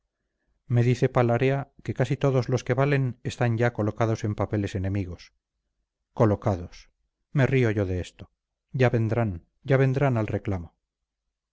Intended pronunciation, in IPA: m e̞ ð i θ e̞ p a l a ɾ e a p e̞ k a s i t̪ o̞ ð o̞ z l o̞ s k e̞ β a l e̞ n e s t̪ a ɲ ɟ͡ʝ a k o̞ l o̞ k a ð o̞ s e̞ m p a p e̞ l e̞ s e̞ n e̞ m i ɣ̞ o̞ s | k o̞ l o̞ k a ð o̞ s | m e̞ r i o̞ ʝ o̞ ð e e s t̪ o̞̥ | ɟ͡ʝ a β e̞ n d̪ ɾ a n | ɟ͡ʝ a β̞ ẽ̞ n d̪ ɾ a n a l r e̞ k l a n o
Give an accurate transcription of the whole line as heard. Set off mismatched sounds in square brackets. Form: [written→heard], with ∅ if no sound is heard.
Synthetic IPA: m e̞ ð i θ e̞ p a l a ɾ e a [p→k] e̞ k a s i t̪ o̞ ð o̞ z l o̞ s k e̞ β a l e̞ n e s t̪ a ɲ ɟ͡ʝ a k o̞ l o̞ k a ð o̞ s e̞ m p a p e̞ l e̞ s e̞ n e̞ m i ɣ̞ o̞ s | k o̞ l o̞ k a ð o̞ s | m e̞ r i o̞ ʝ o̞ ð e e s t̪ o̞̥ | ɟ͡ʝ a β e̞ n d̪ ɾ a n | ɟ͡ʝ a β̞ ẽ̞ n d̪ ɾ a n a l r e̞ k l a [n→m] o